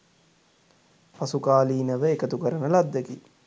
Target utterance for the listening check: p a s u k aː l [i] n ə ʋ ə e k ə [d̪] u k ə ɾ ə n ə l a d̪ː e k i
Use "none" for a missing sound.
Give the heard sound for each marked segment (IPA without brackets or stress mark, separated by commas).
iː, t̪